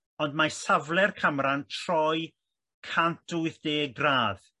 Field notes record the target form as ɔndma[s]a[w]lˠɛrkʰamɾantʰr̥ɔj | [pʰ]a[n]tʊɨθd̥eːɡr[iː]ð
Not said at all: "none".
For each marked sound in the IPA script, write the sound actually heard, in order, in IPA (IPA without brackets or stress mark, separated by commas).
s, v, kʰ, n, aː